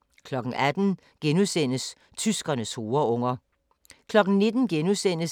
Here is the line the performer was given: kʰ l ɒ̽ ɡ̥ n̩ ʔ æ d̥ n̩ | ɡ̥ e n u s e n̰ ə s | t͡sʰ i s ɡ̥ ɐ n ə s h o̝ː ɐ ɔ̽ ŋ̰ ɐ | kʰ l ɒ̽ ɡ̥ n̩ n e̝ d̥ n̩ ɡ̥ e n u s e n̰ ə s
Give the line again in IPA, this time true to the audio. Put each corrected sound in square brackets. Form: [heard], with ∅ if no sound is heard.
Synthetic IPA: kʰ l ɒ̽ ɡ̥ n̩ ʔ æ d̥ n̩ | ɡ̥ e n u s e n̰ ə s | t͡sʰ [y] s ɡ̥ ɐ n ə s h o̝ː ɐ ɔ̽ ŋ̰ ɐ | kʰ l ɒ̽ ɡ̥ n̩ n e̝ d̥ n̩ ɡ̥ e n u s e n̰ ə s

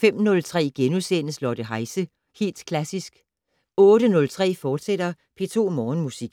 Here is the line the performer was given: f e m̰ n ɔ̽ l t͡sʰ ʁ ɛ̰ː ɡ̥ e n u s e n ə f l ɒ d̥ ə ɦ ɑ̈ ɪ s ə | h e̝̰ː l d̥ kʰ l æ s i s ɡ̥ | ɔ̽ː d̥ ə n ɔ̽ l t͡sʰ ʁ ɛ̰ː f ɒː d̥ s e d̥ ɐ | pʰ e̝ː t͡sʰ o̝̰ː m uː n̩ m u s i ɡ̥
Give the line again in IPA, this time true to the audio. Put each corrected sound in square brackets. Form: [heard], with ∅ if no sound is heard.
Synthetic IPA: f e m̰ n ɔ̽ l t͡sʰ ʁ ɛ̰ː ɡ̥ e n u s e n ə [s] l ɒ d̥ ə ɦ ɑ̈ ɪ s ə | h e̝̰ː l d̥ kʰ l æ s i s ɡ̥ | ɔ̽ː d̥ ə n ɔ̽ l t͡sʰ ʁ ɛ̰ː f ɒː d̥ s e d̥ ɐ | pʰ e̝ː t͡sʰ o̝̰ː m [ɒː] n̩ m u s i ɡ̥

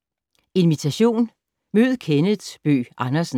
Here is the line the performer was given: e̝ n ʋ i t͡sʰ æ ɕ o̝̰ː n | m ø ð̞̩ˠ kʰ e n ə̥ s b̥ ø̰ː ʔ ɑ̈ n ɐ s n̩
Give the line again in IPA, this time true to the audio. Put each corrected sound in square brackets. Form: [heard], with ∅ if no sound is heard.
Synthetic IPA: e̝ n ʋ i t͡sʰ æ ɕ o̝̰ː n | m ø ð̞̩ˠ kʰ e n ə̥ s b̥ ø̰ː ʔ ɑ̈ n ɐ s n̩

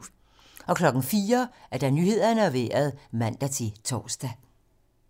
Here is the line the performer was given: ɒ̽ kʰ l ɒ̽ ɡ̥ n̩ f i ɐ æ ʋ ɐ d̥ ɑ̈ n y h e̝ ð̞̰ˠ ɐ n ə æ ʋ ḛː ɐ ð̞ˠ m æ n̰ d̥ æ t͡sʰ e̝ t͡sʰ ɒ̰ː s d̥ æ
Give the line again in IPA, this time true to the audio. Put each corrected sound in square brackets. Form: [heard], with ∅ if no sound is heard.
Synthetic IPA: ɒ̽ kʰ l ɒ̽ ɡ̥ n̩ f [iː] ɐ æ [∅] ɐ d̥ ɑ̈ n y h e̝ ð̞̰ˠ ɐ n ə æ ʋ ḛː ɐ ð̞ˠ m æ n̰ d̥ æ t͡sʰ e̝ t͡sʰ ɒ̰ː s d̥ æ

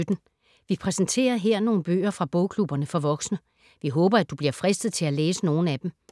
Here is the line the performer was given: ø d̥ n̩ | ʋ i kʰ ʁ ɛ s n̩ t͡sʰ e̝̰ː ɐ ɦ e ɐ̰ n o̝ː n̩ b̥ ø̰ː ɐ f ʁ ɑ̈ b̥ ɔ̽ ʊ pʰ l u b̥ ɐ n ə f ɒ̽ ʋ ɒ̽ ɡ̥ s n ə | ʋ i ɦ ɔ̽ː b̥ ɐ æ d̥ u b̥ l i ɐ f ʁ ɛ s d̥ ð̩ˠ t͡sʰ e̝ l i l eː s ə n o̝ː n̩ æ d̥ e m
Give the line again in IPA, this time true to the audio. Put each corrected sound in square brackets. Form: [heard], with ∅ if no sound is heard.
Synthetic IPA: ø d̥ n̩ | ʋ i [pʰ] ʁ ɛ s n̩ t͡sʰ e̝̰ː ɐ ɦ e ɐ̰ n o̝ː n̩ b̥ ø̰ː ɐ f ʁ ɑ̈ b̥ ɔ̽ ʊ [kʰ] l u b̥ ɐ n ə f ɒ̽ ʋ ɒ̽ ɡ̥ s n ə | ʋ i ɦ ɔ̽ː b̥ ɐ æ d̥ u b̥ l i ɐ f ʁ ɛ s d̥ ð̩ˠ t͡sʰ e̝ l [æ] l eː s ə n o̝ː n̩ æ d̥ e m

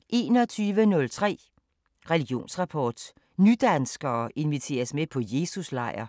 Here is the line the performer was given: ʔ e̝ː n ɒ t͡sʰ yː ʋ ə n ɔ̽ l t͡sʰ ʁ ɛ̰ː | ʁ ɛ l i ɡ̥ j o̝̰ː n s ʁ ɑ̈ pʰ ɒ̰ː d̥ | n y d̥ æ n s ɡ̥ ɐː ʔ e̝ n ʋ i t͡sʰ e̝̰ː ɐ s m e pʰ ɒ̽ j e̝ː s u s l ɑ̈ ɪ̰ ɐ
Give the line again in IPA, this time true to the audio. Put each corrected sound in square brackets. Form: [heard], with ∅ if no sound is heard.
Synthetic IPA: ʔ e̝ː n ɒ t͡sʰ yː ʋ ə n ɔ̽ l t͡sʰ ʁ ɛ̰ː | ʁ ɛ l i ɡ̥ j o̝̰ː n s ʁ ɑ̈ pʰ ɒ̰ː d̥ | n y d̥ æ n s ɡ̥ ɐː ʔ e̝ n ʋ i t͡sʰ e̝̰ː ɐ s m e pʰ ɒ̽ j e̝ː s u s l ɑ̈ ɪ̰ ɐ

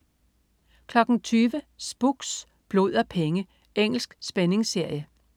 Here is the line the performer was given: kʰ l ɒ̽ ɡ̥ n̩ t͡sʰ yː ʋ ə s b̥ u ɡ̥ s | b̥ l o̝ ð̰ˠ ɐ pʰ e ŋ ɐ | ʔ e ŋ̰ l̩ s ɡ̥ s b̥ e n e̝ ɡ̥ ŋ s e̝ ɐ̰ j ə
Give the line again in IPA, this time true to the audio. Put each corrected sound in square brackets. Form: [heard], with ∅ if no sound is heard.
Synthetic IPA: kʰ l ɒ̽ ɡ̥ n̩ t͡sʰ yː ʋ ə s b̥ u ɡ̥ s | b̥ l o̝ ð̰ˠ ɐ pʰ e ŋ [ə] | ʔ e ŋ̰ l̩ s ɡ̥ s b̥ e n e̝ [∅] ŋ s e̝ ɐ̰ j ə

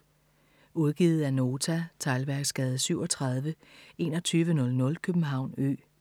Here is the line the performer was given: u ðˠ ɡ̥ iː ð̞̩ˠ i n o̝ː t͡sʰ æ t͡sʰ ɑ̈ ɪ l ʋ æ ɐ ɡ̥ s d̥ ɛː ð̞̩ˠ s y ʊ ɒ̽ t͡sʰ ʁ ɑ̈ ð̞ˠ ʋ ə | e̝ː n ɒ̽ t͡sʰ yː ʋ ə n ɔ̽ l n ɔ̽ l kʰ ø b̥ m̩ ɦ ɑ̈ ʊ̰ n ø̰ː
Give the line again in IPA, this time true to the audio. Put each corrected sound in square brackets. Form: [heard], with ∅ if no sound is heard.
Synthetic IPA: u ðˠ ɡ̥ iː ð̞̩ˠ [æ] n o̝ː t͡sʰ æ t͡sʰ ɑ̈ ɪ l ʋ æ ɐ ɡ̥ s [ɡ̥] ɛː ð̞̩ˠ s y ʊ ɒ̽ t͡sʰ ʁ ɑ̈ ð̞ˠ ʋ ə | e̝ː n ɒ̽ t͡sʰ yː ʋ ə n ɔ̽ l n ɔ̽ l kʰ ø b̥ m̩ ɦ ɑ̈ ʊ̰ n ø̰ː

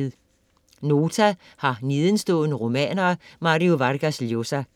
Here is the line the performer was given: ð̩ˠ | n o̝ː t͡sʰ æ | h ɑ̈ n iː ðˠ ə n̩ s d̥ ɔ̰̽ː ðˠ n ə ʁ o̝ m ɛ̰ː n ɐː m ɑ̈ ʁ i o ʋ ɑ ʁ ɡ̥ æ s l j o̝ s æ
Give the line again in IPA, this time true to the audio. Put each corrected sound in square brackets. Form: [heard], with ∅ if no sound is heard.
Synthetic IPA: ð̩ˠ | n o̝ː t͡sʰ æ | h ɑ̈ n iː ðˠ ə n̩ s d̥ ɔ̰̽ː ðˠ n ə ʁ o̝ m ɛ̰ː n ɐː m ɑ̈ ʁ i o ʋ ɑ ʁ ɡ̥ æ s l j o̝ s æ

